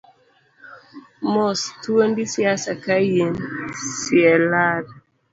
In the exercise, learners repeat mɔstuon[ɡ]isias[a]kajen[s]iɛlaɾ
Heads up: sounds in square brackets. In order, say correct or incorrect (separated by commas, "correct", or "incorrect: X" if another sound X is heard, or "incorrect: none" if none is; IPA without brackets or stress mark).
incorrect: d, correct, correct